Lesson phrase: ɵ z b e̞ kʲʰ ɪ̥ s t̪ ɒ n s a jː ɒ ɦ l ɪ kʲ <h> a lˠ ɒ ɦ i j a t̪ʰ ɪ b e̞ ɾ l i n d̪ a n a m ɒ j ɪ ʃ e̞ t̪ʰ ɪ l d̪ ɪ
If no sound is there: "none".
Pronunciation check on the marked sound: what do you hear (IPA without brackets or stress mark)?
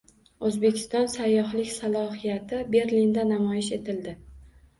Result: s